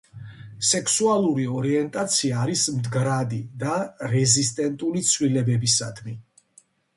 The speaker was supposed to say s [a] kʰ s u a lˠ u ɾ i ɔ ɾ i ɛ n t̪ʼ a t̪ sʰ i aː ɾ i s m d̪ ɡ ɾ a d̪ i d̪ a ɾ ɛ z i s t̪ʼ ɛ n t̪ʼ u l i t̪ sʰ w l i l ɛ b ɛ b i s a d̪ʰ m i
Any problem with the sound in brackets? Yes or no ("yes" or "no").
yes